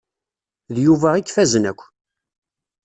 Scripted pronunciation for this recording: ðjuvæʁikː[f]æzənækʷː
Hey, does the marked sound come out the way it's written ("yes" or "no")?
yes